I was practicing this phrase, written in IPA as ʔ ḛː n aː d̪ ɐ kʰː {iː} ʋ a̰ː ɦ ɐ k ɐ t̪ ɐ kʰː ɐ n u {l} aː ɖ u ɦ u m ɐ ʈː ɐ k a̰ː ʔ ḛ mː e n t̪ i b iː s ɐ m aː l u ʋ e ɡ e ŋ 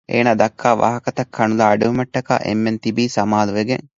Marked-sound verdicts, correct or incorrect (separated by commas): incorrect, correct